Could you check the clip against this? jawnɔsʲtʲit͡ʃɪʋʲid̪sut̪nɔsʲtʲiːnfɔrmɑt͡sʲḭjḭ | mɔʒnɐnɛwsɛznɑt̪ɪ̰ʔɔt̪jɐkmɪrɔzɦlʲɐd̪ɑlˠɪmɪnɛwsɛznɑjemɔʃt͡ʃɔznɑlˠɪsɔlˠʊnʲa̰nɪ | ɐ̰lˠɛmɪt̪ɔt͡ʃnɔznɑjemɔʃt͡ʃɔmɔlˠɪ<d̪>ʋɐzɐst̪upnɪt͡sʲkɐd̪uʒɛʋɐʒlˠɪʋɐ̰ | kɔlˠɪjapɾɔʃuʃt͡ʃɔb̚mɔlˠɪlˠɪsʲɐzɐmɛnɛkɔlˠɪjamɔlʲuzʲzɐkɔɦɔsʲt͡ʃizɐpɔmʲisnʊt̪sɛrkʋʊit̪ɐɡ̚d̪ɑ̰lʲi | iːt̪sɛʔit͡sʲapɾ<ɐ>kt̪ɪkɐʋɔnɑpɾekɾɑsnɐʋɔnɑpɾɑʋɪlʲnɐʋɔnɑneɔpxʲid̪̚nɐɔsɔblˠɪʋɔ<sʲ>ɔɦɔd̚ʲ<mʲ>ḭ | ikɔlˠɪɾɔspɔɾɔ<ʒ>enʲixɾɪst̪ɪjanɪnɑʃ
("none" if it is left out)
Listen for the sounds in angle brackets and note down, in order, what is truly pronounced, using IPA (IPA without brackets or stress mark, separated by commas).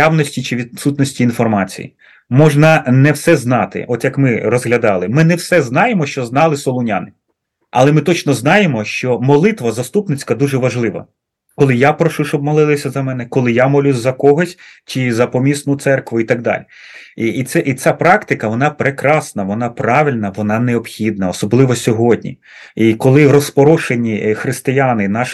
t̪, ɑ, sʲ, nʲ, ʃ